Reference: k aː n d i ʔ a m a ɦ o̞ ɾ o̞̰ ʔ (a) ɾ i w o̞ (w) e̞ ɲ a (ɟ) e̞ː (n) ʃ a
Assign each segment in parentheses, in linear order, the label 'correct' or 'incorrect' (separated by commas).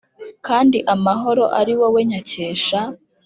correct, correct, incorrect, incorrect